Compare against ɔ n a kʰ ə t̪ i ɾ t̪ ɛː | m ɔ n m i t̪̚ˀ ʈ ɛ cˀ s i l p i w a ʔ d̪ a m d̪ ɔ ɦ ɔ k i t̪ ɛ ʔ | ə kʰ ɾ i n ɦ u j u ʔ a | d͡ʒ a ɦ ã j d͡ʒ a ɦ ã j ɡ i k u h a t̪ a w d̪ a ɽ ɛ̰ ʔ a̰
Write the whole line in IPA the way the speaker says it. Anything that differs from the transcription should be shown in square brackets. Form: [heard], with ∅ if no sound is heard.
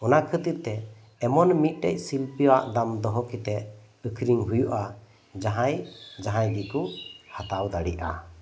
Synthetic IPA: ɔ n a kʰ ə t̪ i ɾ t̪ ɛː | m ɔ n m i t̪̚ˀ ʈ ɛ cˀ s i l p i w a ʔ d̪ a m d̪ ɔ ɦ ɔ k i t̪ ɛ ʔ | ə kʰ ɾ i [ŋ] ɦ u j u ʔ a | d͡ʒ a ɦ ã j d͡ʒ a ɦ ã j ɡ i k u h a t̪ a w d̪ a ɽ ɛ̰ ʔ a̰